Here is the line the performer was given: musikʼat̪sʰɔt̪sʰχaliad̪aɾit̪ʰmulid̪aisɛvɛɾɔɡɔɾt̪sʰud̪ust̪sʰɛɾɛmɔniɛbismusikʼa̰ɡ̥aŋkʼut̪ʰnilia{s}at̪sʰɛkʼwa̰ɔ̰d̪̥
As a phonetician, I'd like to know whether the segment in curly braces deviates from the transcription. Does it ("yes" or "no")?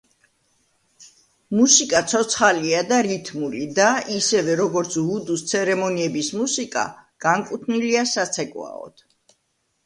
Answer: no